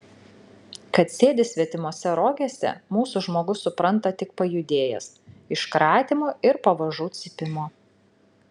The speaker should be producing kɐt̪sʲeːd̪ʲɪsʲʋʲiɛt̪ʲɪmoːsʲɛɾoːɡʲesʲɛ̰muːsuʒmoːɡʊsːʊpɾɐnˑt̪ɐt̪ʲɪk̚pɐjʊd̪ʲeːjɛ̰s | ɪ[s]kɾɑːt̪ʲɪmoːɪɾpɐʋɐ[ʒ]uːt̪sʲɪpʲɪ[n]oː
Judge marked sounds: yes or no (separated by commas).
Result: no, yes, no